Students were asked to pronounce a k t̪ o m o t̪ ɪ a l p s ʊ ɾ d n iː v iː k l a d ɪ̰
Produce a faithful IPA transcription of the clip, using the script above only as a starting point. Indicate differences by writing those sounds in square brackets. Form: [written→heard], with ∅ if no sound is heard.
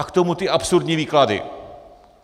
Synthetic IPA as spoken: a k t̪ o m [o→u] t̪ ɪ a [l→∅] p s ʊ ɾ d [n→ɲ] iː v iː k l a d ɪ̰